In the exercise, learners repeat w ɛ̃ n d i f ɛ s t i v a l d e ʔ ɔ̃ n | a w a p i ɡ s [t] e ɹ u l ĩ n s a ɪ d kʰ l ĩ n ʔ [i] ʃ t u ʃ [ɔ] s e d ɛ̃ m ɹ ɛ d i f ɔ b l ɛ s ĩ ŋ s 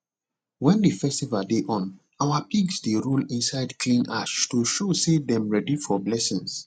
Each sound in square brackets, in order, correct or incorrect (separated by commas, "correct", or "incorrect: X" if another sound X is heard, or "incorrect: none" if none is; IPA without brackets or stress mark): incorrect: d, incorrect: a, incorrect: o